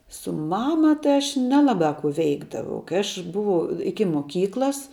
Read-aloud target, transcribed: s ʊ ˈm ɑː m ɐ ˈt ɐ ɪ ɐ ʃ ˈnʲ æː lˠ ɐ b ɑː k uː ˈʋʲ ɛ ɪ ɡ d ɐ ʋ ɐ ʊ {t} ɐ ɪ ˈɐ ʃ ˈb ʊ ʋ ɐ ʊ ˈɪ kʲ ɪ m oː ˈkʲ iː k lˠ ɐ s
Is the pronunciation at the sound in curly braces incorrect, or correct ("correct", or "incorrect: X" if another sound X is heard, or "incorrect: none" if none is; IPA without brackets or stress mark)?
incorrect: k